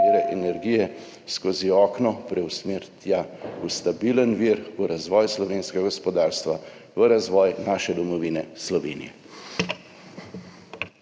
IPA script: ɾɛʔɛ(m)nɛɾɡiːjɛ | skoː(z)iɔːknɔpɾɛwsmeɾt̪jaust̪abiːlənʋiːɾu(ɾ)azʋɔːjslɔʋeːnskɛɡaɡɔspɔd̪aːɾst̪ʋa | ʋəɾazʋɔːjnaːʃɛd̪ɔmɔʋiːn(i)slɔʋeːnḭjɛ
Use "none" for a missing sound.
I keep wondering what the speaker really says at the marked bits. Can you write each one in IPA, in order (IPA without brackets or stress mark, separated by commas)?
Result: none, z, ɾ, ɛ